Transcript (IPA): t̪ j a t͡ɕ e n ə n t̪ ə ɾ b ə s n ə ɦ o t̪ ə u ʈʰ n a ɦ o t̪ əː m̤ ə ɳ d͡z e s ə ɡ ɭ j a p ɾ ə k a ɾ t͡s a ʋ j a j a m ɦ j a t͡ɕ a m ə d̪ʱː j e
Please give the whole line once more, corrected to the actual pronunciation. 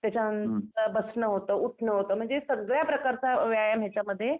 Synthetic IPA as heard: t̪ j a t͡ɕ a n ə n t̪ ə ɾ b ə s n ə ɦ o t̪ ə u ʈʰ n ə ɦ o t̪ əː m̤ ə ɳ d͡z e s ə ɡ ɭ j a p ɾ ə k a ɾ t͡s a ʋ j a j a m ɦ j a t͡ɕ a m ə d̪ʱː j e